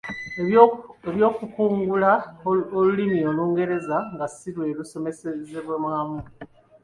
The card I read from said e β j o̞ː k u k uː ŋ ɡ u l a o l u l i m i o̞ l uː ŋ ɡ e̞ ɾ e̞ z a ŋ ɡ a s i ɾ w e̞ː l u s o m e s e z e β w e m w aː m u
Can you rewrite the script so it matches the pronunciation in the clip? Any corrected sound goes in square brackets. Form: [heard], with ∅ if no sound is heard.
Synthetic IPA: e β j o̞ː k u k uː ŋ ɡ u l a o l u l i m i o̞ l uː ŋ ɡ e̞ ɾ e̞ z a ŋ ɡ a s i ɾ w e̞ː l u s o m e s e z e β w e m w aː m u